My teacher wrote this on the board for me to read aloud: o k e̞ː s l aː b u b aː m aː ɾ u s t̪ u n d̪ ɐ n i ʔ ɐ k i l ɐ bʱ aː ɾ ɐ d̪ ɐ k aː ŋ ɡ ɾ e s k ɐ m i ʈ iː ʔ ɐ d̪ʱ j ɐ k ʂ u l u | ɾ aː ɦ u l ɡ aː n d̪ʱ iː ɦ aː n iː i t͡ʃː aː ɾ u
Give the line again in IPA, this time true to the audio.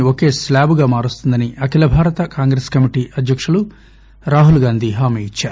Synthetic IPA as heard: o k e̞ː s l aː b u ɡ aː m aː ɾ u s t̪ u n d̪ ɐ n i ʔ ɐ k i l ɐ bʱ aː ɾ ɐ t̪ ɐ k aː ŋ ɡ ɾ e s k ɐ m i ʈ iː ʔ ɐ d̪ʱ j ɐ k ʂ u l u | ɾ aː ɦ u l ɡ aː n d̪ʱ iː ɦ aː m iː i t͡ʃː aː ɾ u